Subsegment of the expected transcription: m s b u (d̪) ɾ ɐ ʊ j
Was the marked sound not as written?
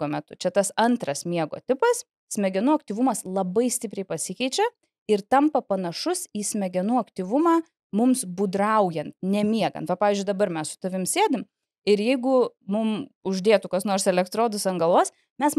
no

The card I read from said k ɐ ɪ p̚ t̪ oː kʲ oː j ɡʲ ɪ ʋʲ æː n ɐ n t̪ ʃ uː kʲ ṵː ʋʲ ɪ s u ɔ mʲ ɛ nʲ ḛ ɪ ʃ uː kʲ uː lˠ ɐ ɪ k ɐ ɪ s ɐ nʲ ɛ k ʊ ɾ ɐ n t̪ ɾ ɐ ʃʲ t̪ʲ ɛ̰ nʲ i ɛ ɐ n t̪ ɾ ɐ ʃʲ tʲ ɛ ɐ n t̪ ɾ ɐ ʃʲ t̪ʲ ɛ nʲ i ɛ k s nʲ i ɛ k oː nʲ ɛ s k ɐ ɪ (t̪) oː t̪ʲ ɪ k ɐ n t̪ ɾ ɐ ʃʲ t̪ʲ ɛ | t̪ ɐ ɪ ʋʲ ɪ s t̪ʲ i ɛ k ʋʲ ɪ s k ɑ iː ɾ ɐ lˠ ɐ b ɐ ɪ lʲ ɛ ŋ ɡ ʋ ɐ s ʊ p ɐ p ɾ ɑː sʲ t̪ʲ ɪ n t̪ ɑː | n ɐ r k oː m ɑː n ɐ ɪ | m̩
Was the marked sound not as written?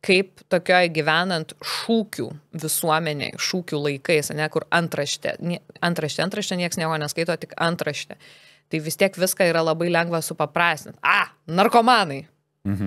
no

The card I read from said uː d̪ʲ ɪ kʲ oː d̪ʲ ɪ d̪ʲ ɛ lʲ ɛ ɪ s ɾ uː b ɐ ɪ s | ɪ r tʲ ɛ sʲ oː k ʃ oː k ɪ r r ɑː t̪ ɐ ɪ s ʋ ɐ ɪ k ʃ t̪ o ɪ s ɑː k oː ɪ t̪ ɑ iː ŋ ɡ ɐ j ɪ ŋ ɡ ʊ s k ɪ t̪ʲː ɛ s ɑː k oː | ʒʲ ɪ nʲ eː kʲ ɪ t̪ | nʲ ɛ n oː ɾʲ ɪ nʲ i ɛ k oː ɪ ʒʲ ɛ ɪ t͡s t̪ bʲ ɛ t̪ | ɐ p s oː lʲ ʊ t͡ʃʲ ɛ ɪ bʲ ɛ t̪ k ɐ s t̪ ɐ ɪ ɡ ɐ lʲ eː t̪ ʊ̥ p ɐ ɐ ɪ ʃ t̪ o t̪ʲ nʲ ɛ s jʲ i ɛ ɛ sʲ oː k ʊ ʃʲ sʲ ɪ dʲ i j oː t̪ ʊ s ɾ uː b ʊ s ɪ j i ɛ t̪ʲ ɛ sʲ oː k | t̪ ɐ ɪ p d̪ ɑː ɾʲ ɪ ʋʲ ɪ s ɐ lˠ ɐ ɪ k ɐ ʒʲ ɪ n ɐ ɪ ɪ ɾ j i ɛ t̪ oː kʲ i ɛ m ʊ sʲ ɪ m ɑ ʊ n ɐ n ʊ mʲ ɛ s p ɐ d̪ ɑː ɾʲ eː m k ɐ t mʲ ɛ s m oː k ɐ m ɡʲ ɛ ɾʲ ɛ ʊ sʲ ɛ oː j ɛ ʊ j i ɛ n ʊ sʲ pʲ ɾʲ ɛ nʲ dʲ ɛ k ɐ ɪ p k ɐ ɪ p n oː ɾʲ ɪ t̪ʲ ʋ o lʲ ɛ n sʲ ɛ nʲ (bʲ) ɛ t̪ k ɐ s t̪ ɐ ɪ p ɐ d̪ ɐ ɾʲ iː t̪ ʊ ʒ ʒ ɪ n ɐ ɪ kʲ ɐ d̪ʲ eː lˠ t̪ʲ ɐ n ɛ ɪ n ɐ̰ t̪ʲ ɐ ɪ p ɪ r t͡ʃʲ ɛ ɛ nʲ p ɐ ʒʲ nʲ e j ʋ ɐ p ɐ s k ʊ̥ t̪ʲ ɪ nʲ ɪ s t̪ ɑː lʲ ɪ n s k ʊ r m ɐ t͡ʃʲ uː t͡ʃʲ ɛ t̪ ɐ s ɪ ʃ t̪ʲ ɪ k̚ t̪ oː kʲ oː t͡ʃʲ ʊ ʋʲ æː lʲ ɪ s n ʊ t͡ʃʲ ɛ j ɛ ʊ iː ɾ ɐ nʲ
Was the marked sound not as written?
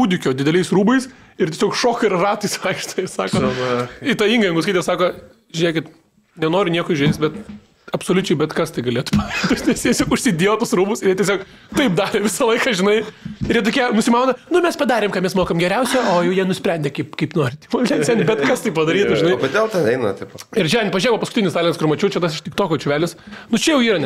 no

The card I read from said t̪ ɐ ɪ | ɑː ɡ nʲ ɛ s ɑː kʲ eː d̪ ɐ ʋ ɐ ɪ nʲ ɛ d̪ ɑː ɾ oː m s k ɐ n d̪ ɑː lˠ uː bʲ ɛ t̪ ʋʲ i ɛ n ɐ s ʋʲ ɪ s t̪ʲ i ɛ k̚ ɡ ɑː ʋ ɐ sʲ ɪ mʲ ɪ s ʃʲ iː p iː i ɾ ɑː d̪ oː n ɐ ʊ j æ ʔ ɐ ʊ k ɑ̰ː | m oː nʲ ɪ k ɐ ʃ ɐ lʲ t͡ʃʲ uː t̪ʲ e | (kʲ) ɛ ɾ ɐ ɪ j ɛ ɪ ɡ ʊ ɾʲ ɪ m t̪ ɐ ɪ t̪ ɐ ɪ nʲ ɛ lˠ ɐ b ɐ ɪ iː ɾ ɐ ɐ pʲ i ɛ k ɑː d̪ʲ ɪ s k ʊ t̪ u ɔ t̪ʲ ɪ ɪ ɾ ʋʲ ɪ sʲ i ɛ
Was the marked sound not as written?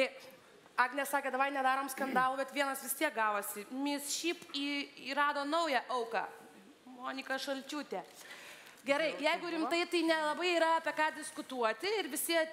yes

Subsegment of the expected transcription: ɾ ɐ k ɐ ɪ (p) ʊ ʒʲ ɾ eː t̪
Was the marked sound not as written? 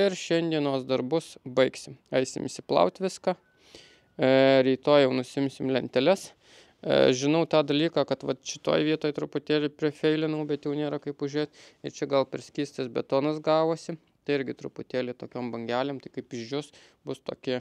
no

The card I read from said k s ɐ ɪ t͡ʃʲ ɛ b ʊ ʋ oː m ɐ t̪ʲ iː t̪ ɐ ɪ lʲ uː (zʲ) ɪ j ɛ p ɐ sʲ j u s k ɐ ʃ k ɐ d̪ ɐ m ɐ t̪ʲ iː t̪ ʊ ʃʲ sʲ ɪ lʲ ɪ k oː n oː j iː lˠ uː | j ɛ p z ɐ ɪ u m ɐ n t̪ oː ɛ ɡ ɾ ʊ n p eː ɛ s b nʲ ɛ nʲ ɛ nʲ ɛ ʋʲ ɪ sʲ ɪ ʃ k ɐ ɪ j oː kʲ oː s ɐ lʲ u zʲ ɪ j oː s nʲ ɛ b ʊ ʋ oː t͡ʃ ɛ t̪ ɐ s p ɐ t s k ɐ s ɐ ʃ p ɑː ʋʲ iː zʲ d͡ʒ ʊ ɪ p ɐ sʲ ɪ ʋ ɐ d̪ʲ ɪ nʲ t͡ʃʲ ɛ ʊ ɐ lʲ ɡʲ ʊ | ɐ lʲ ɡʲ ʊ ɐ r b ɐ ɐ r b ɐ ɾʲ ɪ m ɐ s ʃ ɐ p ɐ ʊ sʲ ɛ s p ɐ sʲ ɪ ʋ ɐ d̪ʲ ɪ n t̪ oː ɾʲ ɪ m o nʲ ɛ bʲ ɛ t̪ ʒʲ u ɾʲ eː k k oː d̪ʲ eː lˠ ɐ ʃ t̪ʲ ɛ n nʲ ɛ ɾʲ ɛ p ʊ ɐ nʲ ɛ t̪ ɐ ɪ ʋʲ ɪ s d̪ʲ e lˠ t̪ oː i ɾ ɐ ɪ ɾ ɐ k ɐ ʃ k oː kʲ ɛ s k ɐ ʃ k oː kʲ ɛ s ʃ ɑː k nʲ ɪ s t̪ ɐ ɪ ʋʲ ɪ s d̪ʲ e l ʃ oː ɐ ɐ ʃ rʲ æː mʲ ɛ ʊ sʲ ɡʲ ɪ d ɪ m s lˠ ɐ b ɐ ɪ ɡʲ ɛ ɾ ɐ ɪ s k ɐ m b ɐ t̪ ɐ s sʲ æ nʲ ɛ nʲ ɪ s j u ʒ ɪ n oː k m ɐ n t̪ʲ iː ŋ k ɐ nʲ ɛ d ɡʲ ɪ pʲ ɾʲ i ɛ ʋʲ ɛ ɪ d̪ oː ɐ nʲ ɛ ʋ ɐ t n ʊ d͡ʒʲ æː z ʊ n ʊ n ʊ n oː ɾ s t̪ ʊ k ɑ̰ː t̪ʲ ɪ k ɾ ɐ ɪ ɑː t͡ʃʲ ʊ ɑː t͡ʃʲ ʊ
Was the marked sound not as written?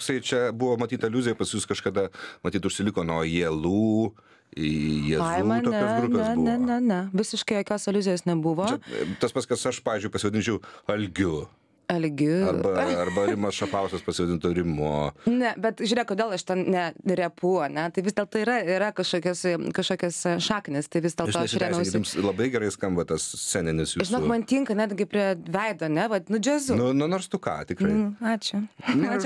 no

